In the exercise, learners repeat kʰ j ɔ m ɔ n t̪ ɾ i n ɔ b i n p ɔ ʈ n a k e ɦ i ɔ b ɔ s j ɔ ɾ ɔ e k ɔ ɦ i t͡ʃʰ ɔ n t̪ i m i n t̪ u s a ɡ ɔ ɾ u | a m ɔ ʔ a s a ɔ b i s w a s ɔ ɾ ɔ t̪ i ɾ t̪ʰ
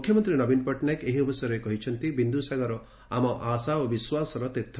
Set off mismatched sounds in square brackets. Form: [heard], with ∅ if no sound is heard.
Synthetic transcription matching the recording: kʰ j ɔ m ɔ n t̪ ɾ i n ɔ b i n p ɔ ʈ n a k e ɦ i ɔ b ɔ s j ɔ ɾ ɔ e k ɔ ɦ i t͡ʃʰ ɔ n t̪ i [b] i n [d̪] u s a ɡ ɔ ɾ [ɔ] | a m ɔ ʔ a s a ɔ b i s w a s ɔ ɾ ɔ t̪ i ɾ t̪ʰ